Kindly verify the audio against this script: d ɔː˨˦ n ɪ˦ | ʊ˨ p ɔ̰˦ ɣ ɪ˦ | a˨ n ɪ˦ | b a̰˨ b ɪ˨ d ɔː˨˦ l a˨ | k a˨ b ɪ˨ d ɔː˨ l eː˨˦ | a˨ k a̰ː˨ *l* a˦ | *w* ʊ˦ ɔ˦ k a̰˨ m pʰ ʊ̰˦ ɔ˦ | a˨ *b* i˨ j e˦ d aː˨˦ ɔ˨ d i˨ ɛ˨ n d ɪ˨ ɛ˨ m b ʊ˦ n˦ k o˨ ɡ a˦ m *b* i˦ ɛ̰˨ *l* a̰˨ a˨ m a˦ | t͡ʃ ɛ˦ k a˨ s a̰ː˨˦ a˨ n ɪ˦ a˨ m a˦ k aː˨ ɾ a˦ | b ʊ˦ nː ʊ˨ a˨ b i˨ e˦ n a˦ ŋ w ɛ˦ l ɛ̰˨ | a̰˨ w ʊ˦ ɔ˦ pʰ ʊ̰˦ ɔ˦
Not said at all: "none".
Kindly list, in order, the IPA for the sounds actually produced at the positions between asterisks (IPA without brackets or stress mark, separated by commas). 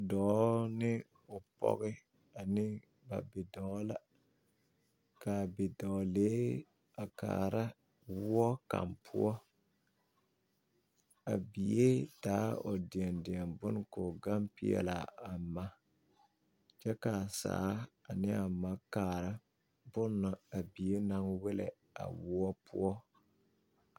ɾ, w, b, p, l